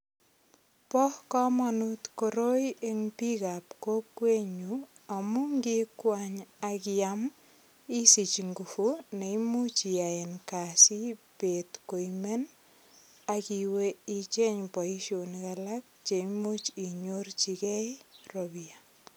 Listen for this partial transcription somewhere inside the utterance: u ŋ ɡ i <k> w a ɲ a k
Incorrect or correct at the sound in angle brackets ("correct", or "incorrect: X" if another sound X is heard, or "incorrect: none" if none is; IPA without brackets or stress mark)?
correct